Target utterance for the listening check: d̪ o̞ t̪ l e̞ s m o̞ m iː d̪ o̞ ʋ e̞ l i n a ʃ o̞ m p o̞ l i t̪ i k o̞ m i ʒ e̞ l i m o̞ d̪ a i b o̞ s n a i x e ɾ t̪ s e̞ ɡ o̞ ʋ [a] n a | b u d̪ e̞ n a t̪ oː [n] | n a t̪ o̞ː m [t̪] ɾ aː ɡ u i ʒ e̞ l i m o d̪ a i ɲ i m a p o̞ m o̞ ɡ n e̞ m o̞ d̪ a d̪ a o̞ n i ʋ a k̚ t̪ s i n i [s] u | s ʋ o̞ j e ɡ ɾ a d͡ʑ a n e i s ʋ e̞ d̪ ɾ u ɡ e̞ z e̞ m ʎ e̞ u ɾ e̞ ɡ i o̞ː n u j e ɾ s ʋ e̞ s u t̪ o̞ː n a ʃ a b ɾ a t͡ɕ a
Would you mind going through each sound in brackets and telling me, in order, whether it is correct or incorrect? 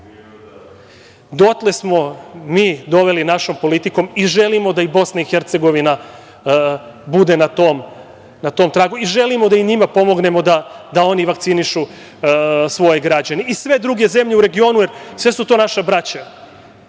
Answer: incorrect: i, incorrect: m, correct, incorrect: ʃ

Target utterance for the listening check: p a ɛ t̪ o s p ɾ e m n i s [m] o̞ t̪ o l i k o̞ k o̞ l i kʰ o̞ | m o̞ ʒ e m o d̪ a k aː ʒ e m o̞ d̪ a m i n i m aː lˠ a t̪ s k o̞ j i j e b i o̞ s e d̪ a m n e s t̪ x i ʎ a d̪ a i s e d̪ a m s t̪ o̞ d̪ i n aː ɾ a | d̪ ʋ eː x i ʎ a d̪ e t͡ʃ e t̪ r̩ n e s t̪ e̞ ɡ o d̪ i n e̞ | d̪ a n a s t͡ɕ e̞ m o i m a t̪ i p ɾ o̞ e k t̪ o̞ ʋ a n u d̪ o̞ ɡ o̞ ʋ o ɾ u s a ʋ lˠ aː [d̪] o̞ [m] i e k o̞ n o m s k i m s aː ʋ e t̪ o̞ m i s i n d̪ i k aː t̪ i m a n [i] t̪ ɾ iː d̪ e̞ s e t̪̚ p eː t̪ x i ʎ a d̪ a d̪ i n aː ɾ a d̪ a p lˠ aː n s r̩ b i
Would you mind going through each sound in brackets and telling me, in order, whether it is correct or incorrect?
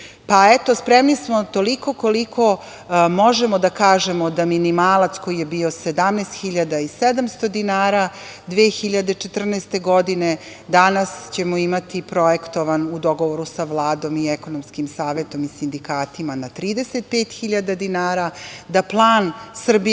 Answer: correct, correct, correct, incorrect: a

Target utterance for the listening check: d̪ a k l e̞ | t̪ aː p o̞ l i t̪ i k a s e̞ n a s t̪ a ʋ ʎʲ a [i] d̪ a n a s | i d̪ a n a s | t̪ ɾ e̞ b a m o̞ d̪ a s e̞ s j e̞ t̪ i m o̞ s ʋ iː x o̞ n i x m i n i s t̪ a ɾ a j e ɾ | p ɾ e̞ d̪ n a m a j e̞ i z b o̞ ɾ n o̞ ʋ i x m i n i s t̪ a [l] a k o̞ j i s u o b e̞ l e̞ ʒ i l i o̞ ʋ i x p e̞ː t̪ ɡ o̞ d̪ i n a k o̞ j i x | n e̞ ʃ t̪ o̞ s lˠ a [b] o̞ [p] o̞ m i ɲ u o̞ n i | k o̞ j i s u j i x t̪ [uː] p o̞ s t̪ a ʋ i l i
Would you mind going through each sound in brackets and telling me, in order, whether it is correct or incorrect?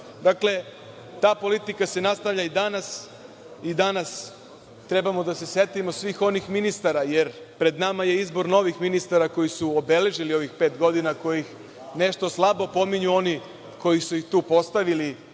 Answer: correct, incorrect: ɾ, correct, correct, correct

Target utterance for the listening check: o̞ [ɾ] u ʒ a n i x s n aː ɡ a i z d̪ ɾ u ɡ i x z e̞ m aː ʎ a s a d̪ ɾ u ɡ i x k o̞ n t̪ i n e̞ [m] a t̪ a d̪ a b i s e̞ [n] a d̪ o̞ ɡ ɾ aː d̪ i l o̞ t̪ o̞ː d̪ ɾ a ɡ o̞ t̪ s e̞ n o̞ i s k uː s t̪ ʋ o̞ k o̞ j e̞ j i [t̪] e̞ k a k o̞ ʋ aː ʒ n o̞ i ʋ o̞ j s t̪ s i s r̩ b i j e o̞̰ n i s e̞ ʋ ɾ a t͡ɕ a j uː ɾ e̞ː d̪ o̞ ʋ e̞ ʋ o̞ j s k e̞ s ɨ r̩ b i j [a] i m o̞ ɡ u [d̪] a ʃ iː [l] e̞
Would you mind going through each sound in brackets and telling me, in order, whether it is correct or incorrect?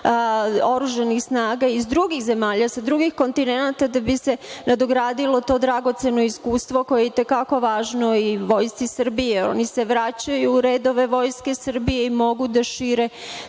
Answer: correct, incorrect: n, correct, correct, incorrect: e, correct, incorrect: ɾ

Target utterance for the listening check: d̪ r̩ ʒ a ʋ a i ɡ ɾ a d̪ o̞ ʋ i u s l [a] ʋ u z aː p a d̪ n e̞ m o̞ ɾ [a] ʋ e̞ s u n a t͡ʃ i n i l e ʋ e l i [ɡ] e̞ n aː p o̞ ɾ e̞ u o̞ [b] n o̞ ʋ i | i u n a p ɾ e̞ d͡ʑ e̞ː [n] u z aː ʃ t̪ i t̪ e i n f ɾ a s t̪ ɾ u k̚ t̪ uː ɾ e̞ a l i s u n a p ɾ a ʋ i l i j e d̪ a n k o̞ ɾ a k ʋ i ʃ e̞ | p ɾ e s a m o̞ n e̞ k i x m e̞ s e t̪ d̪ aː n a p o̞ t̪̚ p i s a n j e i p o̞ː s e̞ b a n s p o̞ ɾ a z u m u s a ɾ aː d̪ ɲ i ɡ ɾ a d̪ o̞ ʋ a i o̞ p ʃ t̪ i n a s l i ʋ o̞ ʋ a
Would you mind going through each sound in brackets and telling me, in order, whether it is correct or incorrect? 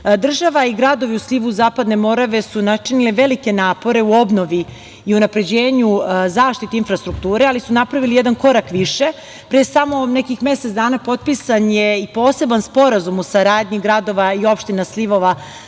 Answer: incorrect: i, correct, incorrect: k, correct, incorrect: ɲ

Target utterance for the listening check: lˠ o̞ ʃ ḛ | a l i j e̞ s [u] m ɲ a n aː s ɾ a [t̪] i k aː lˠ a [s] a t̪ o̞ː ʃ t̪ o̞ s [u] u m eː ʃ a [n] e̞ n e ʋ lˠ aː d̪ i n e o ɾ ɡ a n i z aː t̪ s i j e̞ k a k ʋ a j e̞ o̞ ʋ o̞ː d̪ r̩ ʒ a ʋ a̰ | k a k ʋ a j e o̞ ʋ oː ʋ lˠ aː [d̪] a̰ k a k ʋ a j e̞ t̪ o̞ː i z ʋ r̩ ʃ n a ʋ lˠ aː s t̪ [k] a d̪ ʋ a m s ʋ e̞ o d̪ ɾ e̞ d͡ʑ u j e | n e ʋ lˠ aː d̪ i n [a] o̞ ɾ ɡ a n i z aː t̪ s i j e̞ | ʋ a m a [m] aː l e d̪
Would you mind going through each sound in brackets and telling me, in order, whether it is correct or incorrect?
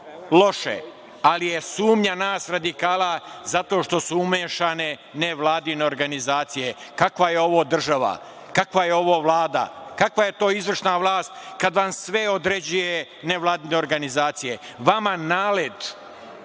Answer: incorrect: uː, incorrect: d̪, incorrect: z, correct, correct, correct, correct, incorrect: e, incorrect: n

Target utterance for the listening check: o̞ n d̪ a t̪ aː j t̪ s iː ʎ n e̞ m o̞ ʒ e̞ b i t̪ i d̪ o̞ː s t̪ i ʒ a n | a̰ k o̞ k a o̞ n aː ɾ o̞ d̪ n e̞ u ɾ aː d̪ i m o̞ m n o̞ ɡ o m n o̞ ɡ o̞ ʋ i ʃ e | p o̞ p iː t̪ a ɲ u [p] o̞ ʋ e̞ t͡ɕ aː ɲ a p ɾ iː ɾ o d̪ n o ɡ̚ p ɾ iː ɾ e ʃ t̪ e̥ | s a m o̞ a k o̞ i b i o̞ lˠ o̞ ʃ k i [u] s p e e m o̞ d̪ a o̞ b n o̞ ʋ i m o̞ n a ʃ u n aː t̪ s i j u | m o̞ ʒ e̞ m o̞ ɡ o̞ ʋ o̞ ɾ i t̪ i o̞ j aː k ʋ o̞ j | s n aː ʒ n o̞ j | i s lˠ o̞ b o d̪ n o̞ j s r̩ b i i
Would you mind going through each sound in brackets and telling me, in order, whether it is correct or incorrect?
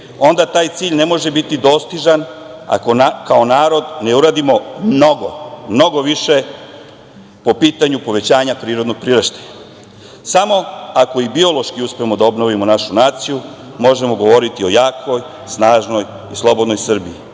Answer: correct, correct

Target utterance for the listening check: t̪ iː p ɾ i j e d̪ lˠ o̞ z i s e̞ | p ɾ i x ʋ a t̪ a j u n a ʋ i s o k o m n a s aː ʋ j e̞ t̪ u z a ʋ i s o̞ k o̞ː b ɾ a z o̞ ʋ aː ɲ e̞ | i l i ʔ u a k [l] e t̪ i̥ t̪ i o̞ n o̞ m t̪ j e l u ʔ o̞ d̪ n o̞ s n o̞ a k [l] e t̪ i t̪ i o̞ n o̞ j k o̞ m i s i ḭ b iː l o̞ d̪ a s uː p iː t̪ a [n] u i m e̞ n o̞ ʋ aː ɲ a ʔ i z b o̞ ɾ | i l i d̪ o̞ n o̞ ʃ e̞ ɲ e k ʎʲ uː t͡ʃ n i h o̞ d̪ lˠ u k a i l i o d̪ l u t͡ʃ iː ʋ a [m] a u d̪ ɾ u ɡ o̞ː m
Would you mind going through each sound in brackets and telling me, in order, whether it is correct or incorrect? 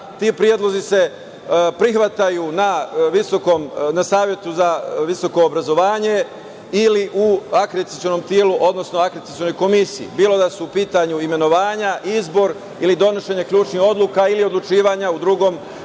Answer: incorrect: ɾ, incorrect: ɾ, incorrect: ɲ, incorrect: ɲ

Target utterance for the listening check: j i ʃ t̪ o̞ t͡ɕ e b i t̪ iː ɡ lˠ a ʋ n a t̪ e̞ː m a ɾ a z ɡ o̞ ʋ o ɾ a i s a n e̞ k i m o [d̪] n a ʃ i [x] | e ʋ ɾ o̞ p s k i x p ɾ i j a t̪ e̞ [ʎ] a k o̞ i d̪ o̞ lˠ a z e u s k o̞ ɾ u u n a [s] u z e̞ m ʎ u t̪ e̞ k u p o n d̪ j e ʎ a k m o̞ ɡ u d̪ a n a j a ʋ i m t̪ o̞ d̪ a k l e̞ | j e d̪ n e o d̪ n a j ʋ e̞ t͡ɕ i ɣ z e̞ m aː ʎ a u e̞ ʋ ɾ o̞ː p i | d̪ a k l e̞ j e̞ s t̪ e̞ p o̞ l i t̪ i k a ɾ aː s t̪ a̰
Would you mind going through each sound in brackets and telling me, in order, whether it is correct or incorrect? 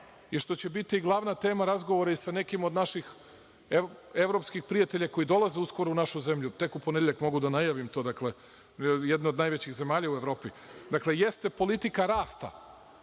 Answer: correct, correct, correct, incorrect: ʃ

